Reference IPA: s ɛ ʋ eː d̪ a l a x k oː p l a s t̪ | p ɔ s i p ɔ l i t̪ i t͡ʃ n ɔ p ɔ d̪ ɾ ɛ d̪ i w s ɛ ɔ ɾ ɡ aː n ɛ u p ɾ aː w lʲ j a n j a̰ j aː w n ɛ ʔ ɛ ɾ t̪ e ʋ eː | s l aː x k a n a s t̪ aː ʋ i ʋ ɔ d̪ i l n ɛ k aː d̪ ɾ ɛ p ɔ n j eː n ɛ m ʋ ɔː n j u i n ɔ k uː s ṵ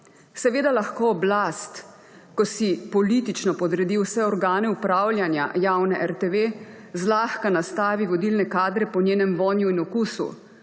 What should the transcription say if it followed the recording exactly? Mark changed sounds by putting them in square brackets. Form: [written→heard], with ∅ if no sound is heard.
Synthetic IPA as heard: s ɛ ʋ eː d̪ a l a x k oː [p→b] l a s t̪ | [p→k] ɔ s i p ɔ l i t̪ i t͡ʃ n ɔ p ɔ d̪ ɾ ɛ d̪ i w s ɛ ɔ ɾ ɡ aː n ɛ u p ɾ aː w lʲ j a n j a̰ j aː w n ɛ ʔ ɛ ɾ t̪ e ʋ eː | [s→z] l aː x k a n a s t̪ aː ʋ i ʋ ɔ d̪ i l n ɛ k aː d̪ ɾ ɛ p ɔ n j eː n ɛ m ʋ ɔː n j u i n ɔ k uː s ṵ